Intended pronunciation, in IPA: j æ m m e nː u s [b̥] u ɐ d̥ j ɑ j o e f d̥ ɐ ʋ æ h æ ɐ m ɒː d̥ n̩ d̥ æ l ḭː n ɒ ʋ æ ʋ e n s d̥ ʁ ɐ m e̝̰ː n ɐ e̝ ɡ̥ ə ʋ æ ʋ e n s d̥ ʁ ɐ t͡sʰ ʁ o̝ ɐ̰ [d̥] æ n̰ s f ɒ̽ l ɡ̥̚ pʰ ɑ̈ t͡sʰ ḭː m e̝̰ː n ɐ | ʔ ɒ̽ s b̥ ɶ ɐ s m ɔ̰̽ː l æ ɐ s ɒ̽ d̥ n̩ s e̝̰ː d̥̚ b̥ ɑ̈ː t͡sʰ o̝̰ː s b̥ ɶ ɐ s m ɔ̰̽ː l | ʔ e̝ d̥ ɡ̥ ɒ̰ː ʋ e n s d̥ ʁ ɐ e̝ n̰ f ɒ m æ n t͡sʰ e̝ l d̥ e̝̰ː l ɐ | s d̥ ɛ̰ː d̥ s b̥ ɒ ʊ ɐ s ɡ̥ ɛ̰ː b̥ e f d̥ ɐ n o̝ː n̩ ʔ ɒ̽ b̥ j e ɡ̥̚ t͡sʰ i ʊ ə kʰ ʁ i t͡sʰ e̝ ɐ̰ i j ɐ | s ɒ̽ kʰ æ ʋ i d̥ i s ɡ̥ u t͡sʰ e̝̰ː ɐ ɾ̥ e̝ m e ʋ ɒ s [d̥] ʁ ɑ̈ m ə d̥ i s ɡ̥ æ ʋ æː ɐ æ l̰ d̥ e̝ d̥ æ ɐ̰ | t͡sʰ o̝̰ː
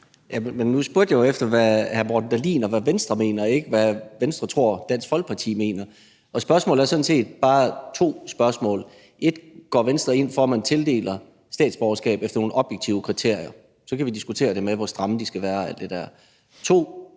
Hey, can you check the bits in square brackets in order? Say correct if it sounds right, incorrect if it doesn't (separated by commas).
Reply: correct, correct, correct